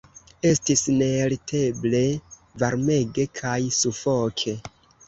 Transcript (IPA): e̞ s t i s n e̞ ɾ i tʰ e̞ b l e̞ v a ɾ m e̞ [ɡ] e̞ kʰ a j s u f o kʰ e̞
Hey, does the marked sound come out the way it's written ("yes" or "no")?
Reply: yes